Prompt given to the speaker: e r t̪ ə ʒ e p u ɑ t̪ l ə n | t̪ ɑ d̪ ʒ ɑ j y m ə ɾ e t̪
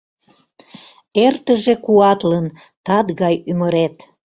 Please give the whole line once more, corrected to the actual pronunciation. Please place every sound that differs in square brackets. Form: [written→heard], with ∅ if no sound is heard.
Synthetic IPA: e r t̪ ə ʒ e [p→k] u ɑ t̪ l ə n | t̪ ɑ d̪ [ʒ→ɣ] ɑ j y m ə ɾ e t̪